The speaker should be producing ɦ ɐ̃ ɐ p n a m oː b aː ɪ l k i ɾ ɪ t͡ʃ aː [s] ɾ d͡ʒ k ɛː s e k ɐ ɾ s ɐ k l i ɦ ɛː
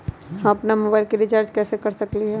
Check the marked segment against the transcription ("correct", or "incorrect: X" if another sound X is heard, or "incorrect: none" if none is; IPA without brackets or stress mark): incorrect: none